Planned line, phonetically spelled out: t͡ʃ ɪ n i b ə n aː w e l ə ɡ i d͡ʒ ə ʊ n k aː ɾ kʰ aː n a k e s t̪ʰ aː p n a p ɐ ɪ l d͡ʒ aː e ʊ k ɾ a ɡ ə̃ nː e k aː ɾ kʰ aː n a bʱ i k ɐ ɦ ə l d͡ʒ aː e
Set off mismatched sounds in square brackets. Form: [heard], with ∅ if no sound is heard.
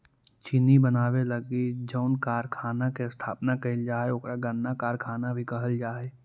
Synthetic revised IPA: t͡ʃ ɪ n i b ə n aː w e l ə ɡ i d͡ʒ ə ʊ n k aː ɾ kʰ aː n a k e s t̪ʰ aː p n a [k] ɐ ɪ l d͡ʒ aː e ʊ k ɾ a ɡ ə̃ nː [a] k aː ɾ kʰ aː n a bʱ i k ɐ ɦ ə l d͡ʒ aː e